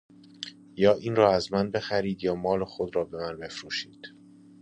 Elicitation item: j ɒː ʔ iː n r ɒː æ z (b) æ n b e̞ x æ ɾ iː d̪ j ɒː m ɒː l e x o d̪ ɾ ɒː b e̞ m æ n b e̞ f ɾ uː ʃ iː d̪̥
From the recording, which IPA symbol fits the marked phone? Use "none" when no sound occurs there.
m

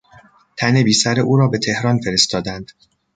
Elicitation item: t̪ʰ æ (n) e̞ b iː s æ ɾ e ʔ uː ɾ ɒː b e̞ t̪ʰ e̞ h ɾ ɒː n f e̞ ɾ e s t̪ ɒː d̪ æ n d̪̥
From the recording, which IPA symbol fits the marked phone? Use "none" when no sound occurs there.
n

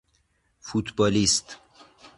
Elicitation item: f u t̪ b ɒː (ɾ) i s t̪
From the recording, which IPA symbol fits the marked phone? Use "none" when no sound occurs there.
l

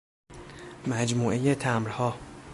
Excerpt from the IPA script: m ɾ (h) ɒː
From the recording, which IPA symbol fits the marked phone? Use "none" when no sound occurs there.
h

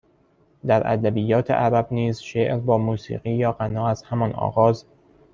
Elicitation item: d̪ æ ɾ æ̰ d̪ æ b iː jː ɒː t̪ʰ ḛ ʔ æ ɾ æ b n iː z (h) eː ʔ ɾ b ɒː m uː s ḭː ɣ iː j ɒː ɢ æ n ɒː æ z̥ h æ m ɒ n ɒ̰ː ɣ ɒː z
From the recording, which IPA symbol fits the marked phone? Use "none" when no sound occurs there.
ʃ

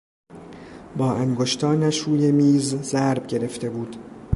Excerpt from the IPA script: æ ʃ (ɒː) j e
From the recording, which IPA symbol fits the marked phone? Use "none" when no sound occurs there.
uː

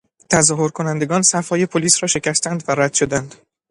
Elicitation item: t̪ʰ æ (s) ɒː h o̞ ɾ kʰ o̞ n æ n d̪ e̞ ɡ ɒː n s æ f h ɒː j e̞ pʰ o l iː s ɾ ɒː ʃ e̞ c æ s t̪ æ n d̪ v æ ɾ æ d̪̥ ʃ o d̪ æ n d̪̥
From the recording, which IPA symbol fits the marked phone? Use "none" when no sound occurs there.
z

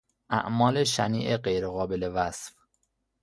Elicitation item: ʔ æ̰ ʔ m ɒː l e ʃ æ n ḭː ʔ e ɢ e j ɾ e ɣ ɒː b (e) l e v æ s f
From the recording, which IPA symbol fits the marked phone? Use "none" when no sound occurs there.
e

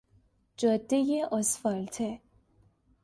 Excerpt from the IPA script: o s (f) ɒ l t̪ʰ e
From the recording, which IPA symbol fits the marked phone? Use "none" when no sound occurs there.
f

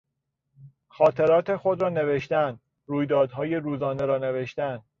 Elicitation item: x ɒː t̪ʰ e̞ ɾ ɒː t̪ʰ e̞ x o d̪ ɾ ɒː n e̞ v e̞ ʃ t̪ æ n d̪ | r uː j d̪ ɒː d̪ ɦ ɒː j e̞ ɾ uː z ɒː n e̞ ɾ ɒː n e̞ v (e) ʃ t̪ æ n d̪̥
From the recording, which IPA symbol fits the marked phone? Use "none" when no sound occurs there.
e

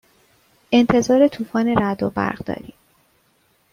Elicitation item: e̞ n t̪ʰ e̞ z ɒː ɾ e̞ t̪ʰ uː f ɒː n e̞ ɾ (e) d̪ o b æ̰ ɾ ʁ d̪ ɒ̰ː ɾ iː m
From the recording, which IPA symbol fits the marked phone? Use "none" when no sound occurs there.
æ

